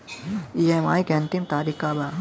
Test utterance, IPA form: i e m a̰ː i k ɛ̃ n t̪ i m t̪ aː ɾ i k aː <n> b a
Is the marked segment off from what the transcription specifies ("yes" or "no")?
yes